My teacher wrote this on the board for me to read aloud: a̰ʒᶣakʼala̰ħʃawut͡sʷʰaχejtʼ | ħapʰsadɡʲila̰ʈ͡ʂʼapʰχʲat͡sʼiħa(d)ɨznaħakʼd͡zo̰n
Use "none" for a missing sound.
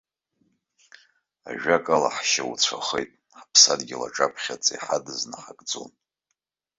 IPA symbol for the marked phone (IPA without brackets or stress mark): d